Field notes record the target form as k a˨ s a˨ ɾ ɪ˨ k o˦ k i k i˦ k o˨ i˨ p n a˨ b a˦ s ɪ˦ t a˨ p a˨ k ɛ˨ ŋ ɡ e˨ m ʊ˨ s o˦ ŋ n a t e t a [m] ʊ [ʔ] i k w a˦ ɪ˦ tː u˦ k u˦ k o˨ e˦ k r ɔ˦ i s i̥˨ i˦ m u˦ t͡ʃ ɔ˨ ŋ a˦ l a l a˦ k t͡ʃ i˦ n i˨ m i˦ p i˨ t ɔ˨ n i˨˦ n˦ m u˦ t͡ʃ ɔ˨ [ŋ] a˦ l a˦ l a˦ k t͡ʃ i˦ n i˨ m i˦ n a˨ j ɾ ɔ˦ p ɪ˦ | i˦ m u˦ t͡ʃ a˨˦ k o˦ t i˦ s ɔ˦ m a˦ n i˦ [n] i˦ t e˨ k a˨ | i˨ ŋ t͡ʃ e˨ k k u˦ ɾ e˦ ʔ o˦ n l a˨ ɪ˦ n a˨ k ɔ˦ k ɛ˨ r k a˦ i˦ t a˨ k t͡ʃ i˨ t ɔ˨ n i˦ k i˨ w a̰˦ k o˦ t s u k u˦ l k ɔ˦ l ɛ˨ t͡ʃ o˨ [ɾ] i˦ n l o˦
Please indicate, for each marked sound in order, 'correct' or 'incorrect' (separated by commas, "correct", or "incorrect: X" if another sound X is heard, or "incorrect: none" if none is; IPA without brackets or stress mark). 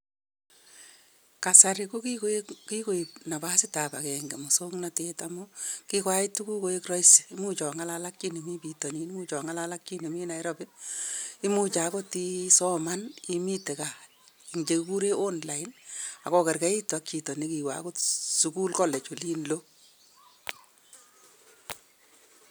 correct, incorrect: k, correct, incorrect: m, incorrect: l